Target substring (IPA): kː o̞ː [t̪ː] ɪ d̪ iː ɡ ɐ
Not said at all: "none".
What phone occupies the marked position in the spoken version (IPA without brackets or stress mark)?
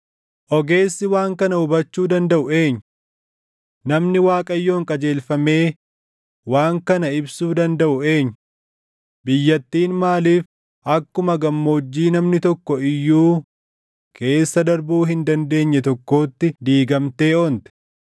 t̪ː